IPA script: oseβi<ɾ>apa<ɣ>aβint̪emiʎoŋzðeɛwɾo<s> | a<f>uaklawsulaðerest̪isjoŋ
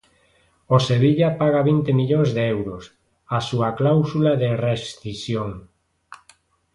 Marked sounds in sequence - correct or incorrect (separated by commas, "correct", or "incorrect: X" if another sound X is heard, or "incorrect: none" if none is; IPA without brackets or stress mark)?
incorrect: ʎ, correct, correct, incorrect: s